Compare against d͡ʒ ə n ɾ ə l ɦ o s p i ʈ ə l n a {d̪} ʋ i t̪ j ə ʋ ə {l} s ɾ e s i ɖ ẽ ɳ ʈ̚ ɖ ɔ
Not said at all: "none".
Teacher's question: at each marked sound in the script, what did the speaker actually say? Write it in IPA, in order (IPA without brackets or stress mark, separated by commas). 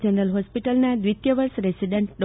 d̪, ɾ